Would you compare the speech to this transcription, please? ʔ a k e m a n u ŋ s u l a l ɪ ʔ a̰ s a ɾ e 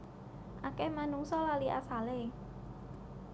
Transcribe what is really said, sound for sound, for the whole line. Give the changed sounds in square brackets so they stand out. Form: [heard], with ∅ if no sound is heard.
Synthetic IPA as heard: ʔ a k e m a n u ŋ s [ɔ] l a l [i] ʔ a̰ s a [l] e